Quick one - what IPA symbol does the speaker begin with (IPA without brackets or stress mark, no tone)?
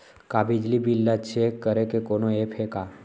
k